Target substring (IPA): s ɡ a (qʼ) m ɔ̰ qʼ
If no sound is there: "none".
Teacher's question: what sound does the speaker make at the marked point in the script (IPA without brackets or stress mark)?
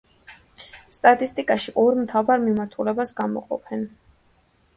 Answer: none